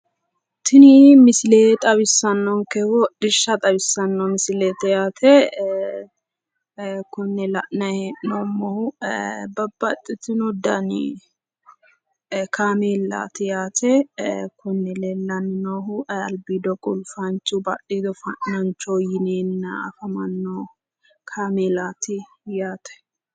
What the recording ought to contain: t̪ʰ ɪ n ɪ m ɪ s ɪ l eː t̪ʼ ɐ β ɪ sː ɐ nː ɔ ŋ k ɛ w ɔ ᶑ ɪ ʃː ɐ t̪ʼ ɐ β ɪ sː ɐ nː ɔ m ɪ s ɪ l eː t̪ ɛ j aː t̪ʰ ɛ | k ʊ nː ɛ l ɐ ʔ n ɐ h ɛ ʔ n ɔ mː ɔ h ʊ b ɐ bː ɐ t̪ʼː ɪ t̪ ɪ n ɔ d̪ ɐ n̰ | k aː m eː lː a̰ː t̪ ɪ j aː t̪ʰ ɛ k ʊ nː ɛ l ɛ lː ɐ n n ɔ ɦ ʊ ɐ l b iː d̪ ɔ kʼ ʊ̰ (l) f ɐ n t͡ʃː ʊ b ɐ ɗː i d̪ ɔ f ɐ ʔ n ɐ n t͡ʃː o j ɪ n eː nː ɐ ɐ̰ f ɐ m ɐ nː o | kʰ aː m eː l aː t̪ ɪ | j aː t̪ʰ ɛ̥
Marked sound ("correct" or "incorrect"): correct